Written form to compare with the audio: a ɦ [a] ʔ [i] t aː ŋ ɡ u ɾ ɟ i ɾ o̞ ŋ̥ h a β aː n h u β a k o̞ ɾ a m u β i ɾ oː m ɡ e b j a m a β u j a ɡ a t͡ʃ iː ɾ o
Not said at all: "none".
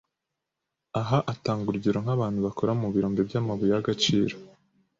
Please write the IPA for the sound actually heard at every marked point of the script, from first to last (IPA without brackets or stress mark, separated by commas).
a, a